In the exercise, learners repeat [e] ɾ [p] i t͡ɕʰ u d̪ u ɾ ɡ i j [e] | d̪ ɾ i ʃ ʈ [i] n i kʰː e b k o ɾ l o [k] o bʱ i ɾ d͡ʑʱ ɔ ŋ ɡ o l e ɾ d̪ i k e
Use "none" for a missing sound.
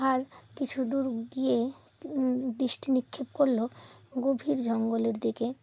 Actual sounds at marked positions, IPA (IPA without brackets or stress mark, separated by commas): a, k, e, i, ɡ